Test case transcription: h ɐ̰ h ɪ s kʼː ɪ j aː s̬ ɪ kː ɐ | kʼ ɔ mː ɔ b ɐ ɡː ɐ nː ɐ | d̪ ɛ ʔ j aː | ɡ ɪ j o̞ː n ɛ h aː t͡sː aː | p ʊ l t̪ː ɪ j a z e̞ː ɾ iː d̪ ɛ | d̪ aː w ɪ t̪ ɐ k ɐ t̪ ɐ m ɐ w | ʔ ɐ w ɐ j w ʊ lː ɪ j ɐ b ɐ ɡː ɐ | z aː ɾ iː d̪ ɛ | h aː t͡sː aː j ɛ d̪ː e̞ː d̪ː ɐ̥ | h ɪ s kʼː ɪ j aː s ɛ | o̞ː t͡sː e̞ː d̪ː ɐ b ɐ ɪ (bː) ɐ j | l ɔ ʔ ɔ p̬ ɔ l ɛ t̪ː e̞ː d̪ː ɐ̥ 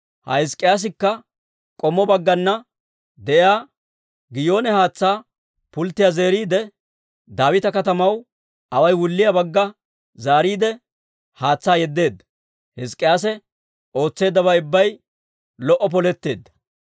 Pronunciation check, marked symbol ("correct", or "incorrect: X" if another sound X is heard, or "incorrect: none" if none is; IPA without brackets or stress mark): correct